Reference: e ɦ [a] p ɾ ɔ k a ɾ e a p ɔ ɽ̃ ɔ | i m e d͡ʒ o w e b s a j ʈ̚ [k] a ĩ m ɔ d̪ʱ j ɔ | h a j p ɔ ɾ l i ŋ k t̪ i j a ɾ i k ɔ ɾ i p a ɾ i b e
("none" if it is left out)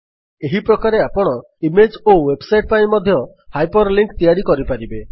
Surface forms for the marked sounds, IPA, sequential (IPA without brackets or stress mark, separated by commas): i, p